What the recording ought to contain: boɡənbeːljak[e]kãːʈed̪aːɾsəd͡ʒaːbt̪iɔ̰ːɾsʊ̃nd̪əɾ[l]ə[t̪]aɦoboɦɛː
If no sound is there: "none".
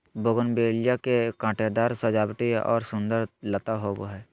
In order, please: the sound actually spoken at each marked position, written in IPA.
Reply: e, l, t̪

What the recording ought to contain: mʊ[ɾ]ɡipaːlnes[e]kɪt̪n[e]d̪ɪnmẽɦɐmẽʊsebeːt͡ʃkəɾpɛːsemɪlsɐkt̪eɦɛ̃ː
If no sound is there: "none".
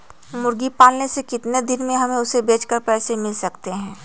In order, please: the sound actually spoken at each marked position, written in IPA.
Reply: ɾ, e, e

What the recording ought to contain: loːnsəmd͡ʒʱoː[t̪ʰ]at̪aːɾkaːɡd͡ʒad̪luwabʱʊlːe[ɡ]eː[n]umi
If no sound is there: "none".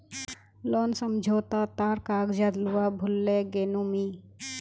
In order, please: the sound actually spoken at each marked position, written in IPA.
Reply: t̪, ɡ, n

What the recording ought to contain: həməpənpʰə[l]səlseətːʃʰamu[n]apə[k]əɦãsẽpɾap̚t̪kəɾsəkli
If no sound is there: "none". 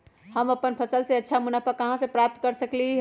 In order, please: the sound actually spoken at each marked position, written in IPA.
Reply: none, n, k

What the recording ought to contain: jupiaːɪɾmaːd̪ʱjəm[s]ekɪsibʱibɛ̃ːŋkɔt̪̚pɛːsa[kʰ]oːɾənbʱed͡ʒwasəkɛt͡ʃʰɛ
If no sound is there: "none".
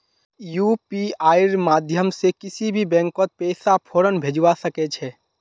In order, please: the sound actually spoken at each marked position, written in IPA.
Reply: s, pʰ

